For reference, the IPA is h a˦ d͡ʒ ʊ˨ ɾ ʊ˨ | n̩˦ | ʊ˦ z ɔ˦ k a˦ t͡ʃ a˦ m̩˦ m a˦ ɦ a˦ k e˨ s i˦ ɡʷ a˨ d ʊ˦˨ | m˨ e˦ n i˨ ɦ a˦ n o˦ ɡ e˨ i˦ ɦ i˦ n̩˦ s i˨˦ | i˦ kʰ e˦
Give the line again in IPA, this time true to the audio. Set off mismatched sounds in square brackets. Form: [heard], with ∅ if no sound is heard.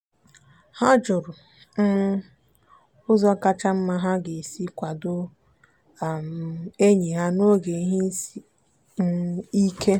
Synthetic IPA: h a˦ d͡ʒ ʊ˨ ɾ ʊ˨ | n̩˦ | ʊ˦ z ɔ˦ k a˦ t͡ʃ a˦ m̩˦ m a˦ ɦ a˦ [ɡ] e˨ s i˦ [kʷ] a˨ d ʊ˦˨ | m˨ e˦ [ɲ] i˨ ɦ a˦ n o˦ ɡ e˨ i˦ ɦ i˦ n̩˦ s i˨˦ | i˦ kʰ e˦